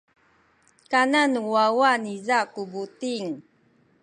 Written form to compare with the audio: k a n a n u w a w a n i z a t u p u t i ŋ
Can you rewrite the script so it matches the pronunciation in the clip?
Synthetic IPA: k a n a n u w a w a n i z a k u b u t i ŋ